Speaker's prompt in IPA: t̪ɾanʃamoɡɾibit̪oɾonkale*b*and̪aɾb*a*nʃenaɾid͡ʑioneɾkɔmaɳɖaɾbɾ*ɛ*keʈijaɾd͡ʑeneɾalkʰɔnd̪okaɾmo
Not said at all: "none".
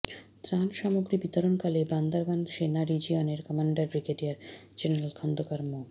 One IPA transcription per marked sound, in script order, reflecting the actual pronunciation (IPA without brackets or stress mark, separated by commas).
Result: b, a, i